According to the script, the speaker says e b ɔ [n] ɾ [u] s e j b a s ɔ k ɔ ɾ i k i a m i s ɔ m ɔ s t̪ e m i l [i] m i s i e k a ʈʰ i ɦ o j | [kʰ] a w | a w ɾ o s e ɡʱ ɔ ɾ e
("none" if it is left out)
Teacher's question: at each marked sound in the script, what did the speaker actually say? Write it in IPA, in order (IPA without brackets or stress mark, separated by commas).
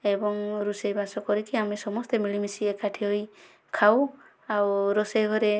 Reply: ŋ, u, i, kʰ